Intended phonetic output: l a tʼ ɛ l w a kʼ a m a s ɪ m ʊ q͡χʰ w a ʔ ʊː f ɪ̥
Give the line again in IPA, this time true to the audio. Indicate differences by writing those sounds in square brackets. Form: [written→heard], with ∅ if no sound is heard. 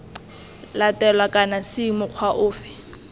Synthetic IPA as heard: l a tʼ ɛ l w a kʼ a [m→n] a s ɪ m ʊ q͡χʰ w a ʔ ʊː f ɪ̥